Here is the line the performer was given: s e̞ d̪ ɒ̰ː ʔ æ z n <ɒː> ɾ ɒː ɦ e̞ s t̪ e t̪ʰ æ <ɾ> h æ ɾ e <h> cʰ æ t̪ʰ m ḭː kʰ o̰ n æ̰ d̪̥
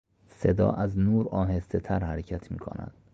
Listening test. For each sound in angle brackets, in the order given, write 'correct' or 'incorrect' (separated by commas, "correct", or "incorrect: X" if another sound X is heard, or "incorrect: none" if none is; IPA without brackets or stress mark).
incorrect: uː, correct, incorrect: none